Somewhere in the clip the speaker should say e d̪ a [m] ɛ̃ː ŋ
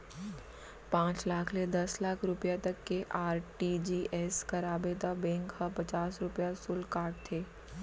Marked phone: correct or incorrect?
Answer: incorrect: b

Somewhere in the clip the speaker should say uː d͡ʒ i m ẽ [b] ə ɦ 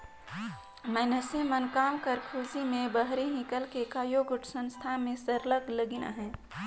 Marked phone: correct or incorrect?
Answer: correct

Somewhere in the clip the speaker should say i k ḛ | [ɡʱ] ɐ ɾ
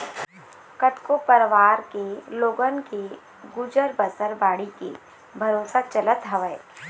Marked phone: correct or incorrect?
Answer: incorrect: bʱ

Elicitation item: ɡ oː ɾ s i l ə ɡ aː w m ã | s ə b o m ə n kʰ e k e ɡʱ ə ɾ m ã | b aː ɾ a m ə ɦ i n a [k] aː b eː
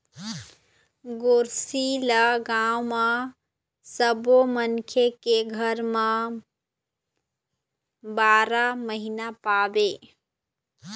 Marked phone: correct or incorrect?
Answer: incorrect: p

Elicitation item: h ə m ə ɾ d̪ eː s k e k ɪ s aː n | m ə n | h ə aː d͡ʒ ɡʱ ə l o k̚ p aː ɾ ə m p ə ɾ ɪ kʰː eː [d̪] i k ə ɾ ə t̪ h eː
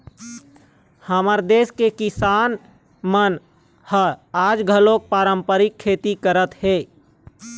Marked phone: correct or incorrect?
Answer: incorrect: t̪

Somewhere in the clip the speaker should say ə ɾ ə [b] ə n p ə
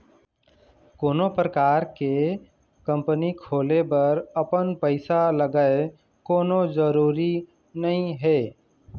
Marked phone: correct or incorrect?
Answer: incorrect: p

